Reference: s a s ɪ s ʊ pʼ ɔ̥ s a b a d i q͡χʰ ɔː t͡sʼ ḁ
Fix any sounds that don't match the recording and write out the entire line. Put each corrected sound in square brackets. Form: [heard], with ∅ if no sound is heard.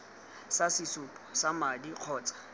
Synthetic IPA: s a s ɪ s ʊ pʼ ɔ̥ s a [m] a d i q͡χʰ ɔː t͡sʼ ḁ